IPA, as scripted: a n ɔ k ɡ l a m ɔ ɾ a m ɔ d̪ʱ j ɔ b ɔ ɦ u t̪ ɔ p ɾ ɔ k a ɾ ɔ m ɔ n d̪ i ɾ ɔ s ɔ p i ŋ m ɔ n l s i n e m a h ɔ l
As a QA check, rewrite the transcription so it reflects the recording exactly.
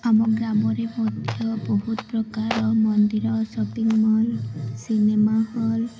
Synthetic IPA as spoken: a m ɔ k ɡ ɾ a m ɔ ɾ e m ɔ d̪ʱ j ɔ b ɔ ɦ u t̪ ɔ p ɾ ɔ k a ɾ ɔ m ɔ n d̪ i ɾ ɔ s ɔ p i ŋ m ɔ l s i n e m a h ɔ l